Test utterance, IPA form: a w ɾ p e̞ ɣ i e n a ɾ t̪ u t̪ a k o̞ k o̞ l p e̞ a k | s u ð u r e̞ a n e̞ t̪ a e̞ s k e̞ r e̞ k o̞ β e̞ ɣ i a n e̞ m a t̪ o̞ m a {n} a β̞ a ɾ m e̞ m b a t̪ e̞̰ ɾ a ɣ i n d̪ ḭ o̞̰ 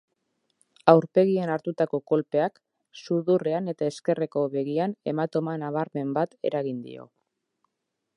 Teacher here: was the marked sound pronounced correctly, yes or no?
yes